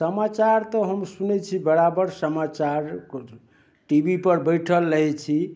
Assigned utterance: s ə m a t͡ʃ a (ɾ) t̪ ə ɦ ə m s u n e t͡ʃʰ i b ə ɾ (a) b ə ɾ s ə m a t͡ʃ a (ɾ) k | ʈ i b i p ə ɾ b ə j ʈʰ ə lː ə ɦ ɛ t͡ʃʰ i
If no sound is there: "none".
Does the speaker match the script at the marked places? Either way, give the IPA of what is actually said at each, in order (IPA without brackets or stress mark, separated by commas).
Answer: ɾ, a, ɾ